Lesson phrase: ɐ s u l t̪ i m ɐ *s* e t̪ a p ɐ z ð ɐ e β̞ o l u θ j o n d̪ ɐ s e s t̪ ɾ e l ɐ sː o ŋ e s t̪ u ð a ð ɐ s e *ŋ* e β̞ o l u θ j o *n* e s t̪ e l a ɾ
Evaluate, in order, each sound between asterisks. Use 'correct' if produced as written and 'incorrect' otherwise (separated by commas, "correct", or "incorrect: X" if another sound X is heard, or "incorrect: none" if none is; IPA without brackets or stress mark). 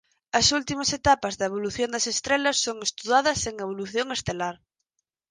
correct, correct, incorrect: ŋ